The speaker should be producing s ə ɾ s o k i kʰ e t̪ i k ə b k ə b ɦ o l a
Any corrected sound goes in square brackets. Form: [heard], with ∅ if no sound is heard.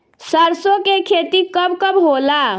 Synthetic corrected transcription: s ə ɾ s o k [e] kʰ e t̪ i k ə b k ə b ɦ o l a